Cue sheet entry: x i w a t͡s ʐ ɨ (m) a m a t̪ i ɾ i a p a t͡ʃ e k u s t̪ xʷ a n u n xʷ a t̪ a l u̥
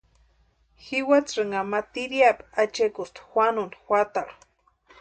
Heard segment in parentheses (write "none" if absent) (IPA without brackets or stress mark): ŋ